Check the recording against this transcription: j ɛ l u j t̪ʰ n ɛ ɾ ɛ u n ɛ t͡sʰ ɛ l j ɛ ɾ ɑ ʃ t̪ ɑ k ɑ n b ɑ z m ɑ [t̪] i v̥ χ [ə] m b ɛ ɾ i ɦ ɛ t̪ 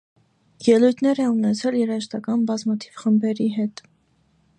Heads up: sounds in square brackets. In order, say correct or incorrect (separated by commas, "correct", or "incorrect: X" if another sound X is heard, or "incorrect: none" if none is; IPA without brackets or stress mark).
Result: incorrect: t̪ʰ, correct